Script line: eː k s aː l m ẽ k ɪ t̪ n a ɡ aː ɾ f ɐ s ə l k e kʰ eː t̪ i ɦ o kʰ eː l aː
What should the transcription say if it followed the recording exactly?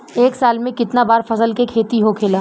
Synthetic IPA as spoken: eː k s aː l m ẽ k ɪ t̪ n a b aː ɾ f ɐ s ə l k e kʰ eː t̪ i ɦ o kʰ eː l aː